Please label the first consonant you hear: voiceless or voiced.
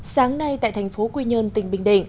voiceless